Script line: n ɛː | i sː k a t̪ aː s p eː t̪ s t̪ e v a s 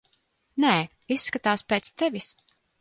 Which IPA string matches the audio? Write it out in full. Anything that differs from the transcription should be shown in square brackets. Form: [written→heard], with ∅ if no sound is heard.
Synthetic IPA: n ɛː | i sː k a t̪ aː s p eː t̪ s t̪ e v [a→i] s